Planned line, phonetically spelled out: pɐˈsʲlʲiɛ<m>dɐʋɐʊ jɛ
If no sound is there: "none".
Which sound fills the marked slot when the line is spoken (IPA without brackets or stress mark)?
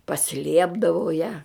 b